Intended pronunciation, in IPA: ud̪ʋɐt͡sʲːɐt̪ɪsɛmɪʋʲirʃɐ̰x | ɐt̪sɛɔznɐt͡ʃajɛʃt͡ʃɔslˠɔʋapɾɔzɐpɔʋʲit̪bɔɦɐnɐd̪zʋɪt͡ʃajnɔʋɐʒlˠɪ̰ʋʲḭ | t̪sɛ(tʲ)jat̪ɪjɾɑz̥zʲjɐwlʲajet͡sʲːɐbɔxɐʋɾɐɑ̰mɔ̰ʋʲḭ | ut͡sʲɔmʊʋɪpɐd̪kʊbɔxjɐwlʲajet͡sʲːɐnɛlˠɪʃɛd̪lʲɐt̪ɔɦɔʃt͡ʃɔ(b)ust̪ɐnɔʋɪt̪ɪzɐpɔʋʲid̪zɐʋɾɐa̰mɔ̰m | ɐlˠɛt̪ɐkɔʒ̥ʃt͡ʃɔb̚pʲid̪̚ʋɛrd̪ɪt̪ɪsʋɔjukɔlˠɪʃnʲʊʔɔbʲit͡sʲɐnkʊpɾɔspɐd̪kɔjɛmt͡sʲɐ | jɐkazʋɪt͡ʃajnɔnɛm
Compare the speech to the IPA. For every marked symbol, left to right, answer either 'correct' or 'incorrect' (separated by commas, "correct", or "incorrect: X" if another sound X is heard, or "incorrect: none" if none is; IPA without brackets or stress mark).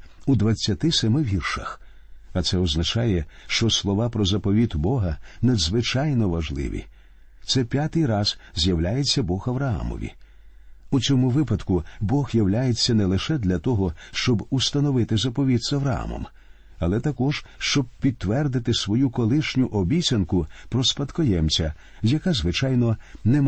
incorrect: pʲ, correct